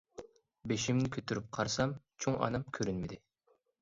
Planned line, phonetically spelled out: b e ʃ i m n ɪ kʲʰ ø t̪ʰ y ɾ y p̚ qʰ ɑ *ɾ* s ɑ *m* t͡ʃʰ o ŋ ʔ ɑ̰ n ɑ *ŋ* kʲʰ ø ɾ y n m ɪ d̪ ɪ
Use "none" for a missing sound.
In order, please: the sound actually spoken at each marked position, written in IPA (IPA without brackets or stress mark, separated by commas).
ɾ, m, m